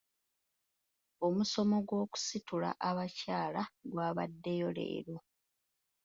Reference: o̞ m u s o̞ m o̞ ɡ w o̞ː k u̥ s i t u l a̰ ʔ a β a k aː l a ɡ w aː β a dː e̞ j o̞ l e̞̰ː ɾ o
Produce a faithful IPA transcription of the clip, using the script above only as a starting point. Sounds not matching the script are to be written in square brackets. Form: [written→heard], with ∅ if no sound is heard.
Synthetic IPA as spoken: o̞ m u s o̞ m o̞ ɡ w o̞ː k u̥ s i t u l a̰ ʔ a β a [k→c] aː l a ɡ w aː β a dː e̞ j o̞ l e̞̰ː ɾ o

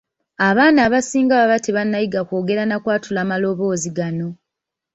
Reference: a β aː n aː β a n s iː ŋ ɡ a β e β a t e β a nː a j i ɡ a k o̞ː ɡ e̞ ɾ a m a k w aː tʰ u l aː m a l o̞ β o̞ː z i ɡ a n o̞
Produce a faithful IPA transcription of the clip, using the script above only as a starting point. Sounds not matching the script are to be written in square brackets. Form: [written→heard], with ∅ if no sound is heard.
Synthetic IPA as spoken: a β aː n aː β a [n→∅] s iː ŋ ɡ a β [e→a] β a t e β a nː a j i ɡ a k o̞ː ɡ e̞ ɾ a [m→n] a k w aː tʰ u l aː m a l o̞ β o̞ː z i ɡ a n o̞

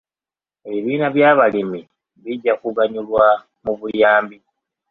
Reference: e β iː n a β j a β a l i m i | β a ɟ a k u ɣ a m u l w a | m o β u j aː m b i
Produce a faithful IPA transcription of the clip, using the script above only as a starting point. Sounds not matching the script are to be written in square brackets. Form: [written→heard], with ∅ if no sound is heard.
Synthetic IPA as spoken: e β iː n a β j a β a l i m i | β [a→i] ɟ a k u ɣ a [m→ɲ] u l w a | m [o→u] β u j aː m b i

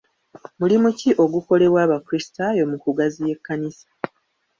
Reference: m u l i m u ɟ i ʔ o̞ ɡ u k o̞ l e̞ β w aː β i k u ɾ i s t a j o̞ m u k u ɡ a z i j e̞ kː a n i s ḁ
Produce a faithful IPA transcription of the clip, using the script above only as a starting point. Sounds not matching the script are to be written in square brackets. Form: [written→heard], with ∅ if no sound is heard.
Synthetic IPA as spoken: m u l i m u [ɟ→c] i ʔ o̞ ɡ u k o̞ l e̞ β w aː β [i→a] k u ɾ i s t a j o̞ m u k u ɡ a z i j e̞ kː a n i s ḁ

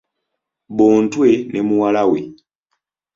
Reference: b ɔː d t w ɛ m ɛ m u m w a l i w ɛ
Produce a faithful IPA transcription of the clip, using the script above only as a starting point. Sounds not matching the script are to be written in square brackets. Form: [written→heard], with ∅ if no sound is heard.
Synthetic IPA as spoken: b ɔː [d→n] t w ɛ [m→n] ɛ m u [m→∅] w a l [i→a] w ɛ

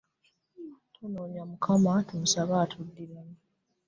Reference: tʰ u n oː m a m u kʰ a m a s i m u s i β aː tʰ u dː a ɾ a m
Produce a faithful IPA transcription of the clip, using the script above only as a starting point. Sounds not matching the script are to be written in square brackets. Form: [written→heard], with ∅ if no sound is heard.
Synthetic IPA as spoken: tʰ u n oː [m→ɲ] a m u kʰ a m a [s→t] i m u s [i→a] β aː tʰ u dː [a→i] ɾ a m

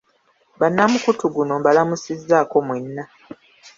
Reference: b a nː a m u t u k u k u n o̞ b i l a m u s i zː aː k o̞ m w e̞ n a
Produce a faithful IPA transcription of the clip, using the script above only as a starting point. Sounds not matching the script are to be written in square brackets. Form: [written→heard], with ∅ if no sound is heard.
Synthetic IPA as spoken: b a nː a m u [t→k] u [k→t] u [k→ɡ] u n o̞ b [i→a] l a m u s i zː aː k o̞ m w e̞ [n→nː] a

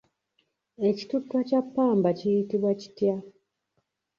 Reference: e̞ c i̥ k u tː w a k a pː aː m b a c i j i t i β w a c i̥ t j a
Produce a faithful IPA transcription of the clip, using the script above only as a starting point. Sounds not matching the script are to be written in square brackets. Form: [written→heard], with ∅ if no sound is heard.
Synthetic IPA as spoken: e̞ c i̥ [k→t] u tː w a [k→c] a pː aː m b a c i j i t i β w a c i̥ t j a

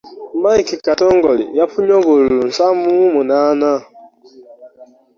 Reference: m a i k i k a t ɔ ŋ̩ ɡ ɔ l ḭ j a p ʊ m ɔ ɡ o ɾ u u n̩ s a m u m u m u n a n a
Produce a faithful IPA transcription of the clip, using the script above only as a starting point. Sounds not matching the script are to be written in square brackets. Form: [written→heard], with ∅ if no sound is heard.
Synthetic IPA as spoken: m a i k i k a t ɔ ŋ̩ ɡ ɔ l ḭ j a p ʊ [m→ɲ] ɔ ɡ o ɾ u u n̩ s a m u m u m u n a n a

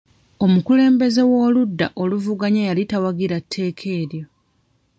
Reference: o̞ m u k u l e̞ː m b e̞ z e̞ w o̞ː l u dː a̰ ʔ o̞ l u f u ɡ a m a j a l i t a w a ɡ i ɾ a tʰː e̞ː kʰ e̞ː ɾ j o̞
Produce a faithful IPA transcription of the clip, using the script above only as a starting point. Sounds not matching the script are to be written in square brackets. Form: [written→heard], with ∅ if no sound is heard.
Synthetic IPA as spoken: o̞ m u k u l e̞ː m b e̞ z e̞ w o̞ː l u dː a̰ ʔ o̞ l u [f→v] u ɡ a [m→ɲ] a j a l i t a w a ɡ i ɾ a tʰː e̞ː kʰ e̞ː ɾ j o̞

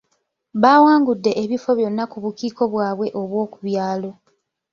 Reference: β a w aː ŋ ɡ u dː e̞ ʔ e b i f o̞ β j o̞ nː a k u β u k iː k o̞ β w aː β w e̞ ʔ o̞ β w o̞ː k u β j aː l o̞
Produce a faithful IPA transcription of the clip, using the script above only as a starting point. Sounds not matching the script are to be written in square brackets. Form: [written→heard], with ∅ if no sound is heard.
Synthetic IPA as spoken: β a w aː ŋ ɡ u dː e̞ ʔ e [b→β] i f o̞ β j o̞ nː a k u β u k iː k o̞ β w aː β w e̞ ʔ o̞ β w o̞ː k u β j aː l o̞

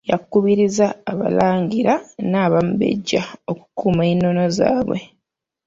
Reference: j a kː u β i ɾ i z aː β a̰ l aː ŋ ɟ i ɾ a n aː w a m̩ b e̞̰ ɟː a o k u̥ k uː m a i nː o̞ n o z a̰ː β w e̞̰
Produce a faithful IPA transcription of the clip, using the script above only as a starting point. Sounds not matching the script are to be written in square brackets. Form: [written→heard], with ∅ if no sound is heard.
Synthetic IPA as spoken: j a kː u β i ɾ i z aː β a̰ l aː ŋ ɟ i ɾ a n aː [w→β] a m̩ b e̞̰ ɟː a o k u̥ k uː m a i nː o̞ n o z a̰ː β w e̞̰

